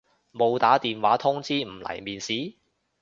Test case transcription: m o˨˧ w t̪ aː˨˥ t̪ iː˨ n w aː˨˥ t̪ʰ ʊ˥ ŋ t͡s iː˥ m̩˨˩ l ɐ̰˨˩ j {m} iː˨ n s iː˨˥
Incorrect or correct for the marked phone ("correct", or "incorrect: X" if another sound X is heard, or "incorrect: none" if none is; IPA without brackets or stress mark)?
correct